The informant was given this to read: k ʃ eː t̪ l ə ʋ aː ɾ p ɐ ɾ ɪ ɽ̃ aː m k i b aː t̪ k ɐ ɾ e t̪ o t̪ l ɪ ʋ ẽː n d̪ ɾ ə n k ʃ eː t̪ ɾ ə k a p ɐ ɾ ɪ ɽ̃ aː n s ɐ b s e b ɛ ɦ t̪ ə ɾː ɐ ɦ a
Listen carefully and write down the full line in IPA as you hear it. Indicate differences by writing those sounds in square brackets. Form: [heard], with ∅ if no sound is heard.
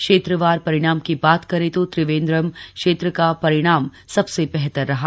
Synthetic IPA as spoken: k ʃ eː t̪ [ɾ] ə ʋ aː ɾ p ɐ ɾ ɪ ɽ̃ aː m k i b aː t̪ k ɐ ɾ e t̪ o t̪ [ɾ] ɪ ʋ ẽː n d̪ ɾ ə [m] k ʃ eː t̪ ɾ ə k a p ɐ ɾ ɪ ɽ̃ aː [m] s ɐ b s e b ɛ ɦ t̪ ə ɾː ɐ ɦ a